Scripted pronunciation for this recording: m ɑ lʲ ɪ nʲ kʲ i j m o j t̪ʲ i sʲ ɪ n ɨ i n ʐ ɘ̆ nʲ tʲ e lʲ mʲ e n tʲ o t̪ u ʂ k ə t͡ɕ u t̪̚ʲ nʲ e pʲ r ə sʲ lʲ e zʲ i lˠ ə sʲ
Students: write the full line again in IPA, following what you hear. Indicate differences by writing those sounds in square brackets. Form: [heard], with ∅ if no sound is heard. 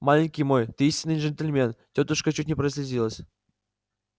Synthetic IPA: m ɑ lʲ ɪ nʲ kʲ i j m o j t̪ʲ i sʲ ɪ n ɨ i n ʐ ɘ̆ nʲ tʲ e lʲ mʲ e n tʲ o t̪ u ʂ k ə t͡ɕ u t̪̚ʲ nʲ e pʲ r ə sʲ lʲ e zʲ i lˠ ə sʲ